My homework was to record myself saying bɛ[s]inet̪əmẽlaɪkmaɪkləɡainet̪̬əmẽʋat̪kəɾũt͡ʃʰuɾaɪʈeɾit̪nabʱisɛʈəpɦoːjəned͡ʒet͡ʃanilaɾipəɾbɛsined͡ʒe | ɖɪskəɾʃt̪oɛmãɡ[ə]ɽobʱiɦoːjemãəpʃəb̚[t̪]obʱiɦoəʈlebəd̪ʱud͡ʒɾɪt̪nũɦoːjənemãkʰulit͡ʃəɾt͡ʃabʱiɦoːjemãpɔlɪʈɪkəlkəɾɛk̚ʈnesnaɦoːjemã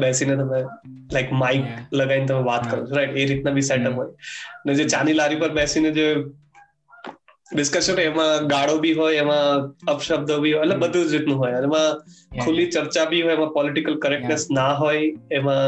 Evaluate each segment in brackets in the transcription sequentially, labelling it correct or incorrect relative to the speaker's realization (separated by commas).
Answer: correct, incorrect, incorrect